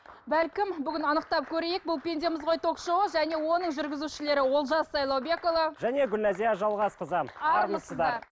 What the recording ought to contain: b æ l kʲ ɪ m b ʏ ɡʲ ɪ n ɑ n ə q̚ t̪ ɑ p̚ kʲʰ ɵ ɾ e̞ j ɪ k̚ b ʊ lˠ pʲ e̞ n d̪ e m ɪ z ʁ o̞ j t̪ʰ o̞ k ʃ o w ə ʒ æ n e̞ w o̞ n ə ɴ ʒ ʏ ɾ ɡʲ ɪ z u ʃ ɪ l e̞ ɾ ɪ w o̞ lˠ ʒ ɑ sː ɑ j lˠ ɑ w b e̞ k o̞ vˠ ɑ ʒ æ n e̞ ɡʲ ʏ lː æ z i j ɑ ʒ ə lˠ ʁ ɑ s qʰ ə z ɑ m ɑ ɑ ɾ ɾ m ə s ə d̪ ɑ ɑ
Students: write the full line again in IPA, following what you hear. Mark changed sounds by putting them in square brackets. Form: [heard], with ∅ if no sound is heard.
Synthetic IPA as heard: b æ l kʲ ɪ m b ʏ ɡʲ ɪ n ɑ n ə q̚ t̪ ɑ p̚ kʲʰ ɵ ɾ e̞ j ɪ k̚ b ʊ lˠ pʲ e̞ n d̪ e m ɪ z ʁ o̞ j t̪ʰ o̞ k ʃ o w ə ʒ æ n e̞ w o̞ n ə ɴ ʒ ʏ ɾ ɡʲ ɪ z u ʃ ɪ l e̞ ɾ ɪ w o̞ lˠ ʒ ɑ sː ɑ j lˠ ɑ w b e̞ k o̞ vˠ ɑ ʒ æ n e̞ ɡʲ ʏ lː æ z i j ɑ ʒ [ɑ] lˠ ʁ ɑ s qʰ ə z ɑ m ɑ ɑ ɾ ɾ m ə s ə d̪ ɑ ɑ